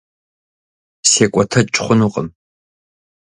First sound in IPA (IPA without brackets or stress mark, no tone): s